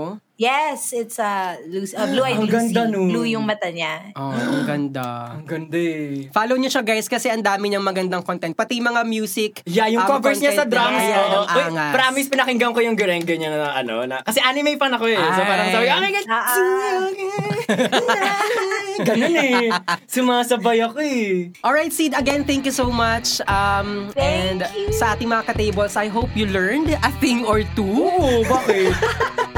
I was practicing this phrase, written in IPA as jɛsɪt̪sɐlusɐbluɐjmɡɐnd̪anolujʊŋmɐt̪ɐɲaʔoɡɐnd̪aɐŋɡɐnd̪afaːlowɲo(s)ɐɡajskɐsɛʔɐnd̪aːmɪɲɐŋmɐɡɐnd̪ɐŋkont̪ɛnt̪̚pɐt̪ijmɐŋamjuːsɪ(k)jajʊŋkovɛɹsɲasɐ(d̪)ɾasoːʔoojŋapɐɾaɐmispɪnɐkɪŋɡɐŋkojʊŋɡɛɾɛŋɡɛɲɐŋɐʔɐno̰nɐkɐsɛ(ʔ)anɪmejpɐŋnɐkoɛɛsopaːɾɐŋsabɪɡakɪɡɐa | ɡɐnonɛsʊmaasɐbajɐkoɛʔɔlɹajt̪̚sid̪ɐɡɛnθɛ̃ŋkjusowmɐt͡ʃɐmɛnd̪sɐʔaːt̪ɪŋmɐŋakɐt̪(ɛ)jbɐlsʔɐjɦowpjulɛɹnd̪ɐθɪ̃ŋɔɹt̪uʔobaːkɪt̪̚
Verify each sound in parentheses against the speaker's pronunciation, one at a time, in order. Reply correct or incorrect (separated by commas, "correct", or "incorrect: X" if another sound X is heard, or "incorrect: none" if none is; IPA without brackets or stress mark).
incorrect: ʃ, correct, correct, correct, incorrect: e